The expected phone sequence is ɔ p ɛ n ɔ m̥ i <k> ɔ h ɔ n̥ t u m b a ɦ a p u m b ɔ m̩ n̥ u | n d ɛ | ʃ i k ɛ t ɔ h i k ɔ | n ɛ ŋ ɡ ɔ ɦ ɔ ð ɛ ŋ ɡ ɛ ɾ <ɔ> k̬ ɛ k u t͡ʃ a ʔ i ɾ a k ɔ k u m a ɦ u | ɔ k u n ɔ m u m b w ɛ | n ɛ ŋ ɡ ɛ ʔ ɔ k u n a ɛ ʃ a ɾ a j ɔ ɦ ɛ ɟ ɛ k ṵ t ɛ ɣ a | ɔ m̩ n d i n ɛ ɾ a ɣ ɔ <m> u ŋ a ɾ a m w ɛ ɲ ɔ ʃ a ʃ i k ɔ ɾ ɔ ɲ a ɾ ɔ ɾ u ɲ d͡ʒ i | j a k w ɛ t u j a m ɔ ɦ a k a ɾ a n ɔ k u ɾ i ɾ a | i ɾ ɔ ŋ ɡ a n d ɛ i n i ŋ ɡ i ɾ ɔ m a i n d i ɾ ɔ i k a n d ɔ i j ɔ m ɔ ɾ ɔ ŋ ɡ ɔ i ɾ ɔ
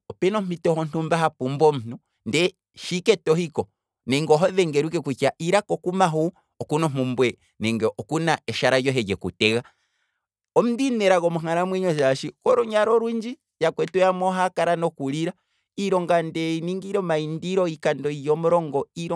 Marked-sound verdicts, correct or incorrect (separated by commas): incorrect, incorrect, correct